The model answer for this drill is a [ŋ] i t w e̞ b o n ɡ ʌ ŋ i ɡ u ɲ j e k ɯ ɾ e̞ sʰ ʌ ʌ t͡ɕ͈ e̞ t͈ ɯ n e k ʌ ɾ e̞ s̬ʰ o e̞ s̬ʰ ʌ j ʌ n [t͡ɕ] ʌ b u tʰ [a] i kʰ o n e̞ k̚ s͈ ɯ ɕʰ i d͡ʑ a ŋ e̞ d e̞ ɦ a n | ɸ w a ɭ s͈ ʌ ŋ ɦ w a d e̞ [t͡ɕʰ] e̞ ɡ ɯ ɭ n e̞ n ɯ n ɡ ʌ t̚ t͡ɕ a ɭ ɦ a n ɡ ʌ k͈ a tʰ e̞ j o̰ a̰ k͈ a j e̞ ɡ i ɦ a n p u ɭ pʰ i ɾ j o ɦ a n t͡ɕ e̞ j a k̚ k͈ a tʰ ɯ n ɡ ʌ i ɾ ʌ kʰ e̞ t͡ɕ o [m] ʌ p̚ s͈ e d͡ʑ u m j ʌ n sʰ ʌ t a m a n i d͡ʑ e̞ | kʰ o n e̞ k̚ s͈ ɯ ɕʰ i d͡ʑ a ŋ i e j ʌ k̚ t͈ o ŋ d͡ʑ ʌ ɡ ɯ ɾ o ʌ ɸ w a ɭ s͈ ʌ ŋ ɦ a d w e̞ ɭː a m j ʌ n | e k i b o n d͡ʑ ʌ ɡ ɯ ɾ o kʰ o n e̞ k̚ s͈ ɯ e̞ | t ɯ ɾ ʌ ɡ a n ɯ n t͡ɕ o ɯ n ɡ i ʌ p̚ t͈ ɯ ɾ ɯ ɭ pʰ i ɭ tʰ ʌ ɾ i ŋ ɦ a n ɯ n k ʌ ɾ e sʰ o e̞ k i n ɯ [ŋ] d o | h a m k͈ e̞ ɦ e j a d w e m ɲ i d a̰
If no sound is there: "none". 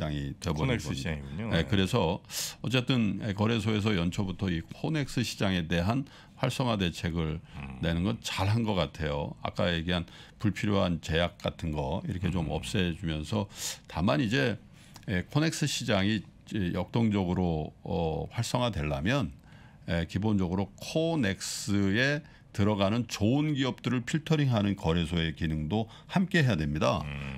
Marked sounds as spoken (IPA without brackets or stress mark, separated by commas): ŋ, t͡ɕʰ, ʌ, t͡ɕʰ, m, ŋ